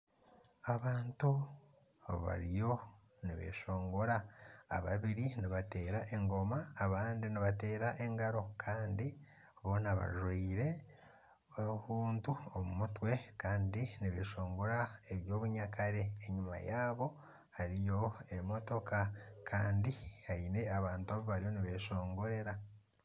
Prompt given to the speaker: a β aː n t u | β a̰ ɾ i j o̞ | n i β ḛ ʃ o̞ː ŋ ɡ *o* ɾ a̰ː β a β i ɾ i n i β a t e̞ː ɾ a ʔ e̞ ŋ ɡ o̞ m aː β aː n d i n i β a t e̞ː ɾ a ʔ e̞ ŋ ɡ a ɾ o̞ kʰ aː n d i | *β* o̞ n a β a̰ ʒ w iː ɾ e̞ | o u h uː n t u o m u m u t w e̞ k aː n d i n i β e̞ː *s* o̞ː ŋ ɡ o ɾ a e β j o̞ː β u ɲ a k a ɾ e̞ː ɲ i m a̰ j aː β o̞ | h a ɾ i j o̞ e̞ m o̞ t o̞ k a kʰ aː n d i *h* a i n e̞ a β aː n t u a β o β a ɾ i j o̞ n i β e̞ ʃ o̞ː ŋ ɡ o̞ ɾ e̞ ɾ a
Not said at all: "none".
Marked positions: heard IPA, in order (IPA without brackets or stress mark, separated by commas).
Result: o, β, ʃ, h